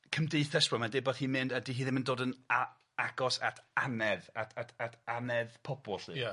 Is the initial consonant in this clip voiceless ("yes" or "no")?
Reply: yes